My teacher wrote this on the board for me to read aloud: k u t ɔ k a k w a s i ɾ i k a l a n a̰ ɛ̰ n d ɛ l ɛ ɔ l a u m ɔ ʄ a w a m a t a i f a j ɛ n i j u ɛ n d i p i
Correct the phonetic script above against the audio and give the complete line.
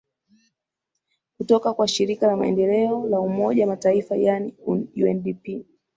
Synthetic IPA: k u t ɔ k a k w a ʃ i ɾ i k a l a m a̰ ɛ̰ n d ɛ l ɛ ɔ l a u m ɔ ʄ a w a m a t a i f a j a n i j u ɛ n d i p i